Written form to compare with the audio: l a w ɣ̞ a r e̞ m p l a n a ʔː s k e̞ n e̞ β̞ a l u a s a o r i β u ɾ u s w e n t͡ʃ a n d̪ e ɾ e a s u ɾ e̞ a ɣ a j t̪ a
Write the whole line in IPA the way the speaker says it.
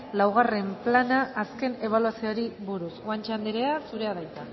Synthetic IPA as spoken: l a w ɣ̞ a r e̞ m p l a n a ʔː s k e̞ n e̞ β̞ a l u a s i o ɾ i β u ɾ u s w a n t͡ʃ a n d̪ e ɾ e a s u ɾ e̞ a ð a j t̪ a